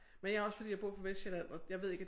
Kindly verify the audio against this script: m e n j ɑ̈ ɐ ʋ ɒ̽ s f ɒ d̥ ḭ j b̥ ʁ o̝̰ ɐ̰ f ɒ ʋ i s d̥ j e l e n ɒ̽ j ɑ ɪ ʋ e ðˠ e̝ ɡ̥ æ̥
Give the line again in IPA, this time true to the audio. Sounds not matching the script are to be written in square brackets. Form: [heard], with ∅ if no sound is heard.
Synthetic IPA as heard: m e n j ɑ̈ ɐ [∅] ɒ̽ s f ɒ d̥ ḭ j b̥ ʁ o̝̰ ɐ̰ f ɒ ʋ [e] s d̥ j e l [æ] n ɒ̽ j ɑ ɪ ʋ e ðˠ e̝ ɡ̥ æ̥

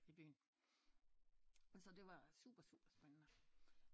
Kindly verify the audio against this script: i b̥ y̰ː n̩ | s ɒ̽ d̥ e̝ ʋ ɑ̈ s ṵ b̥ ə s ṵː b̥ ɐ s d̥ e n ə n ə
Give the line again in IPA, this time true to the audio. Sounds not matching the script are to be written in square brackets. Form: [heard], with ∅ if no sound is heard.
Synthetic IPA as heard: i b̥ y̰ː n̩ | s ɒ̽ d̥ e̝ ʋ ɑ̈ s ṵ b̥ [ɐ] s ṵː b̥ ɐ s [b̥] e n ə n ə

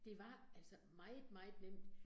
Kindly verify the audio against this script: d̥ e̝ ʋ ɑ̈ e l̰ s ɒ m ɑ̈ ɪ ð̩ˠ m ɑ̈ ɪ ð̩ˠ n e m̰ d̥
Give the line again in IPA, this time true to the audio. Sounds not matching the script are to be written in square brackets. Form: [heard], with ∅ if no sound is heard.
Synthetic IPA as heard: d̥ e̝ ʋ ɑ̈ [æ] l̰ s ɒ m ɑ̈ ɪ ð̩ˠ m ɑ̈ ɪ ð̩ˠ n e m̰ d̥

